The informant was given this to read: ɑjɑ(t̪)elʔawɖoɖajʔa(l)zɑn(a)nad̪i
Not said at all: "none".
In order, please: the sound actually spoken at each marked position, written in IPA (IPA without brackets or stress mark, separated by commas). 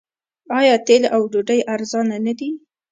t̪, ɾ, a